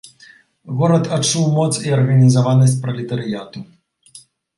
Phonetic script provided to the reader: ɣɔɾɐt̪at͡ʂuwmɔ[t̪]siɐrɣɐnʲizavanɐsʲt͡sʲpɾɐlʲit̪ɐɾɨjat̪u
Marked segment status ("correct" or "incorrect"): correct